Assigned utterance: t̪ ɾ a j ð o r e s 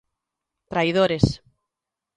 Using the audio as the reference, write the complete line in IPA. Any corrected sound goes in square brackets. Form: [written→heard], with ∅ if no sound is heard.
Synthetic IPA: t̪ ɾ a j ð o [r→ɾ] e s